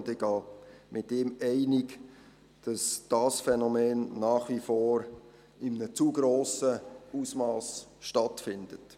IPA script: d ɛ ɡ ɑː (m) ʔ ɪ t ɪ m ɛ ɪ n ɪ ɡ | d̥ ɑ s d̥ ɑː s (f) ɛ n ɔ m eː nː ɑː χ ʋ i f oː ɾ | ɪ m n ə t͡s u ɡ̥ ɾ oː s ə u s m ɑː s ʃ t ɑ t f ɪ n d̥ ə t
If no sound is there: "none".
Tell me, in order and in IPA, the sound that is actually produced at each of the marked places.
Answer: m, f

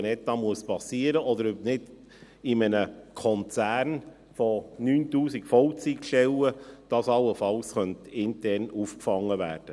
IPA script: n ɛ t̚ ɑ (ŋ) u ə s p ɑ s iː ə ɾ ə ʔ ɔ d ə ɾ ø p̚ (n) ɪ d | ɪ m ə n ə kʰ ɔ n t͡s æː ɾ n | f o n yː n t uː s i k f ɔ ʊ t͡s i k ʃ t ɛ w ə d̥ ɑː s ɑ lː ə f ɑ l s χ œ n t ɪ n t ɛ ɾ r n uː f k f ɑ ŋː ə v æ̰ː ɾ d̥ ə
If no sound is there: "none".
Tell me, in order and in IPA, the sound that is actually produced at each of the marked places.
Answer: m, n

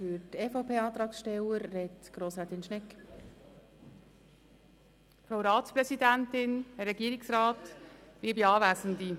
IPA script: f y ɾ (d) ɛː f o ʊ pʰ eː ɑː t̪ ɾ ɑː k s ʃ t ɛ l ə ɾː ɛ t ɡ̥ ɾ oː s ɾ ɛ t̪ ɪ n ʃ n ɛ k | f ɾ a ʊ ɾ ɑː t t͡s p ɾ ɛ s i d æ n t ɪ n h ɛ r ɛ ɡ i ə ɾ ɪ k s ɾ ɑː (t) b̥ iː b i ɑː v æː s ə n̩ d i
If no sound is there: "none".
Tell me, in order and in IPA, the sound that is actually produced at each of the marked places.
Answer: t, t

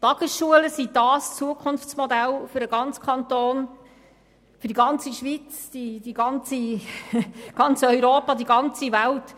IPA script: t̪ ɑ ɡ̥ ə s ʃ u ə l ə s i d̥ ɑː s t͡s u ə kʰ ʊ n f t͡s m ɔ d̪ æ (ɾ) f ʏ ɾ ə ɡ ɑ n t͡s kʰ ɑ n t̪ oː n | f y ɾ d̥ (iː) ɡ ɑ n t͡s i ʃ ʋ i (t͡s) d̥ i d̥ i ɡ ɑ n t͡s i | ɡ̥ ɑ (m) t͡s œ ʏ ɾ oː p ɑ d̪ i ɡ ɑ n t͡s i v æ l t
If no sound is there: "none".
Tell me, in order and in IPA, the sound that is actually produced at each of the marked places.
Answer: l, i, t͡s, n

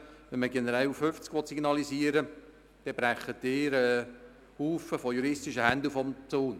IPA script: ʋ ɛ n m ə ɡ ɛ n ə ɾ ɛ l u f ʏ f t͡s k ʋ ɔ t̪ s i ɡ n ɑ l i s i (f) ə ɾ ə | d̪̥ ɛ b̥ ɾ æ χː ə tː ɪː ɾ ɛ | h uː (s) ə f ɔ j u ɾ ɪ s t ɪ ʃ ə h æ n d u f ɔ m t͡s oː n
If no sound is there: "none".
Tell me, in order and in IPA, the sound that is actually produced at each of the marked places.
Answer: none, f

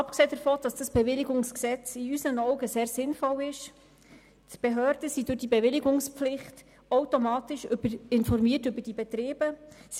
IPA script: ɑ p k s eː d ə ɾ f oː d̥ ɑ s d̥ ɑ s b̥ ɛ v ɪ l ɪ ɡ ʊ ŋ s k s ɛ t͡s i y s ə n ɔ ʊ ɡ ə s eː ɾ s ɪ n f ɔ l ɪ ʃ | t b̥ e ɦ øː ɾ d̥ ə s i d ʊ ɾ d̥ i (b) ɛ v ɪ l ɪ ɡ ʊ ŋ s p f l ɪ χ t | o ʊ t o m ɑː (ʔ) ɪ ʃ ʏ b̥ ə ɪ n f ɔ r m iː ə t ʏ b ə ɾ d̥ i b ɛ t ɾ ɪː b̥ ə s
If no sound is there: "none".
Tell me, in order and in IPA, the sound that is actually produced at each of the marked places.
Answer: b, t

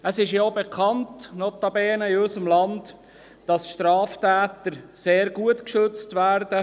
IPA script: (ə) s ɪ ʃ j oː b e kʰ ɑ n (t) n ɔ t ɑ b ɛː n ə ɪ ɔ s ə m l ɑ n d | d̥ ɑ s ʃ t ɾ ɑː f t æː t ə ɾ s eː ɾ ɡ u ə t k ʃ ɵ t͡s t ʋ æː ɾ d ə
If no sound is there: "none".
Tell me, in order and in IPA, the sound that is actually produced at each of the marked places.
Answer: ə, t

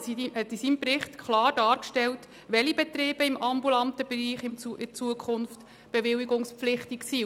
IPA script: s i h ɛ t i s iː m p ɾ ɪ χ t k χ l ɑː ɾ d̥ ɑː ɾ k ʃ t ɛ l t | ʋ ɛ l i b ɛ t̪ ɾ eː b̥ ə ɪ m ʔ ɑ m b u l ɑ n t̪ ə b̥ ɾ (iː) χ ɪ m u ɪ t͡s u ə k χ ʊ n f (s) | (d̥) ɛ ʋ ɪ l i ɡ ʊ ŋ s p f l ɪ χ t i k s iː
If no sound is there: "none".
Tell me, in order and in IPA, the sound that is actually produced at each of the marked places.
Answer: iː, t, b̥

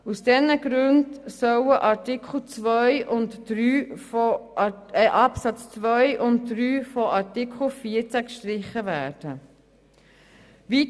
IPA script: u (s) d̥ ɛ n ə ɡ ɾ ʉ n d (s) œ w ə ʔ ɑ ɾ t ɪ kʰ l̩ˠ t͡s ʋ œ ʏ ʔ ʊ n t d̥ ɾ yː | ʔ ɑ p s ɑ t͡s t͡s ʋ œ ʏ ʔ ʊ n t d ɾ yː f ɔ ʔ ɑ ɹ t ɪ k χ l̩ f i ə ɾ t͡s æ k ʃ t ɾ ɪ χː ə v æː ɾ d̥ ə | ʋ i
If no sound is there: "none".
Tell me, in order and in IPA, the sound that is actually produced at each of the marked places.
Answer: s, s

